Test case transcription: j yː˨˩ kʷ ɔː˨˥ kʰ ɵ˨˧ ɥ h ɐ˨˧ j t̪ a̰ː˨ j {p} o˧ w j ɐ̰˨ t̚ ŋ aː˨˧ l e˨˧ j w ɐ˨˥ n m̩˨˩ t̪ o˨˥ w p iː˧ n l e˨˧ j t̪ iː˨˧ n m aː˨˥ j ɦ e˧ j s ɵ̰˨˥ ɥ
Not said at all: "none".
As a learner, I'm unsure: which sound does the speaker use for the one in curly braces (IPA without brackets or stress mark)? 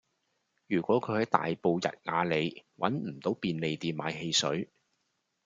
p